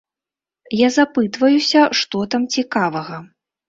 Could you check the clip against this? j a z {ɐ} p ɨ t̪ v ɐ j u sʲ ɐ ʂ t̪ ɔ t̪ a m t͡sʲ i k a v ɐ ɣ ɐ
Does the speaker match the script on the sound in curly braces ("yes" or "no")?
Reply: no